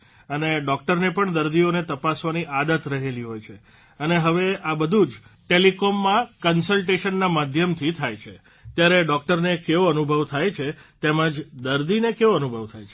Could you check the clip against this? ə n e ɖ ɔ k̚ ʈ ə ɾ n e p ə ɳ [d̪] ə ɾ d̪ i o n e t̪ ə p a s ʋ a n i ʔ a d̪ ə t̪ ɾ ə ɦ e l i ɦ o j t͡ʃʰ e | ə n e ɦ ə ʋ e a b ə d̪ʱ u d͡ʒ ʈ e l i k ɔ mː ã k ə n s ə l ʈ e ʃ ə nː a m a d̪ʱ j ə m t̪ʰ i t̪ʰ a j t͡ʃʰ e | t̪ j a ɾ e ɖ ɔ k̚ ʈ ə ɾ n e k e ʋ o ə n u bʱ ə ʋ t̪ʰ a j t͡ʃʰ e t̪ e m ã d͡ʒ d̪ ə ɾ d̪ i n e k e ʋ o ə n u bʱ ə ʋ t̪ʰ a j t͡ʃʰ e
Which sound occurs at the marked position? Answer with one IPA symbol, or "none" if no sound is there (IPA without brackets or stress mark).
d̪